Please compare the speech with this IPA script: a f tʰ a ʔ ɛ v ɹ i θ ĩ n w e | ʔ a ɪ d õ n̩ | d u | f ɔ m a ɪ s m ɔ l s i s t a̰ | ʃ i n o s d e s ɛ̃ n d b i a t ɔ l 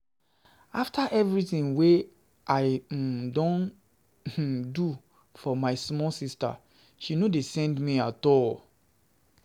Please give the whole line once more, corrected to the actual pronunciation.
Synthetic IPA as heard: a f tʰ a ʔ ɛ v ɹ i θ ĩ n w e | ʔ a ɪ d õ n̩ | d u | f ɔ m a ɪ s m ɔ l s i s t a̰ | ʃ i n o d e s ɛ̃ n d m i a t ɔ l